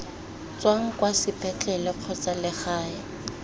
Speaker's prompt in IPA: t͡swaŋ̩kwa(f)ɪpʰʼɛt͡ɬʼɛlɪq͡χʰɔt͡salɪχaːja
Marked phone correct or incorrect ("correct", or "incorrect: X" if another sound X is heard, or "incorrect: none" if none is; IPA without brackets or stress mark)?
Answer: incorrect: s